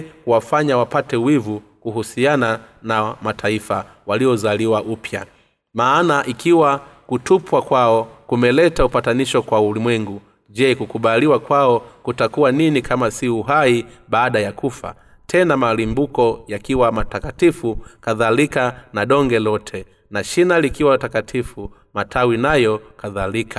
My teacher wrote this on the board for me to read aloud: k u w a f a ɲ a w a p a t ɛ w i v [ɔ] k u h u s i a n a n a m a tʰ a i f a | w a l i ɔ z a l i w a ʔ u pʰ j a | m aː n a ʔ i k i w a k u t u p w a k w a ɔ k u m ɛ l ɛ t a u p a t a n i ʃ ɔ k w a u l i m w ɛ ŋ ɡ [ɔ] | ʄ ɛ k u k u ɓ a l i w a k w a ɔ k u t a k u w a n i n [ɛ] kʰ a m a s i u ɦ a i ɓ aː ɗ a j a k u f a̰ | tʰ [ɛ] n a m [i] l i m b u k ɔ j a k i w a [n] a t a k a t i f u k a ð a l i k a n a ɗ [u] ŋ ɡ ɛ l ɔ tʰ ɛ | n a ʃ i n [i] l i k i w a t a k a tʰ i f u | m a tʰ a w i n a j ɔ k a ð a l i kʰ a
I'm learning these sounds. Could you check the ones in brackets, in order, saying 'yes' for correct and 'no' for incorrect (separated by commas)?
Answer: no, no, no, yes, no, no, no, no